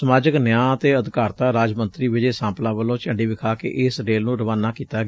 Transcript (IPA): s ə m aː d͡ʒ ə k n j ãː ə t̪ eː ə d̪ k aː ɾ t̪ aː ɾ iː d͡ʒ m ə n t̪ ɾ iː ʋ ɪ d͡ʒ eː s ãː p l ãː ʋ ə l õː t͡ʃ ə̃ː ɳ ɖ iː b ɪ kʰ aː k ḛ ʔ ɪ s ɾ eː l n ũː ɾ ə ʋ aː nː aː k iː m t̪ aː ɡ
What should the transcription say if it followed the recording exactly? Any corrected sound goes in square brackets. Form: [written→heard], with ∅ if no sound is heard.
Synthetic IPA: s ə m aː d͡ʒ ə k n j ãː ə t̪ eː ə d̪ k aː ɾ t̪ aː ɾ [iː→aː] d͡ʒ m ə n t̪ ɾ iː ʋ ɪ d͡ʒ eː s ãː p l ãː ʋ ə l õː t͡ʃ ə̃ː ɳ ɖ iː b ɪ kʰ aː k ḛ ʔ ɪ s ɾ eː l n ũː ɾ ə ʋ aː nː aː k iː [m→∅] t̪ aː ɡ